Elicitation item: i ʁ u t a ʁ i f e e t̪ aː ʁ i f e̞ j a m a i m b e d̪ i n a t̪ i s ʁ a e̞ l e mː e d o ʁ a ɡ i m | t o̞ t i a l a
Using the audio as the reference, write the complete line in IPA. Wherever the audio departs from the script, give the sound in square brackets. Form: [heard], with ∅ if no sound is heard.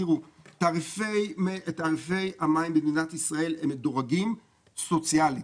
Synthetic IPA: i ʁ u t a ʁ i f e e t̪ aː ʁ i f e̞ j a m a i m b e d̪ i n a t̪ i s ʁ a e̞ l e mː e d o ʁ a ɡ i m | [s] o̞ [t͡s] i a l [i]

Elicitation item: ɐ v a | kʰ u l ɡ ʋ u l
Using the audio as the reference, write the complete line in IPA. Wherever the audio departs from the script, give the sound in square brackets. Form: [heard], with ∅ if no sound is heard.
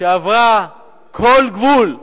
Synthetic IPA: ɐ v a | kʰ [o] l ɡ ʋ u l

